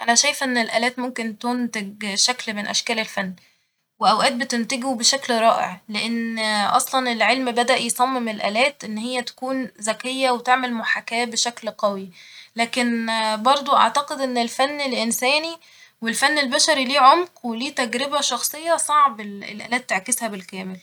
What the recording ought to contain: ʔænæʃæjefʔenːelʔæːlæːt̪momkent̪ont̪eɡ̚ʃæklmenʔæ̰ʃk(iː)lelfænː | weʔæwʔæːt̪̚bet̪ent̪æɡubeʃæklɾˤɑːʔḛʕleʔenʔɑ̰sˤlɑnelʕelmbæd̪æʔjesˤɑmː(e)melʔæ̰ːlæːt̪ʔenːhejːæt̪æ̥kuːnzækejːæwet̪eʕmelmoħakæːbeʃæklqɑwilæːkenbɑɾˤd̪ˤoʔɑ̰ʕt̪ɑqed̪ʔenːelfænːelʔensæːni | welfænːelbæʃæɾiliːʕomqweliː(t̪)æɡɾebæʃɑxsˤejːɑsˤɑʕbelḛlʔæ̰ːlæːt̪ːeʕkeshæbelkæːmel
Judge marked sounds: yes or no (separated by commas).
no, yes, yes